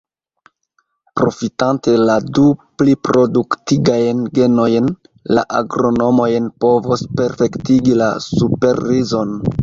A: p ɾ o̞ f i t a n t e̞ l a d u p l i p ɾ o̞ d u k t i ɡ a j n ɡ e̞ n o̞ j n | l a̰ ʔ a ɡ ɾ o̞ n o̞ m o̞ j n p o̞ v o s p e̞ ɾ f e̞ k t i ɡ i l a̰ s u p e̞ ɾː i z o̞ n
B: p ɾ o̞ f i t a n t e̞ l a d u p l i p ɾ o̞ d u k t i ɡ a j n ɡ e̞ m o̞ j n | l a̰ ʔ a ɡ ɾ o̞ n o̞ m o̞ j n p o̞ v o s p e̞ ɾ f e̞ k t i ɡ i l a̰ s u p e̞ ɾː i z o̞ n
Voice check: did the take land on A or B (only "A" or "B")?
A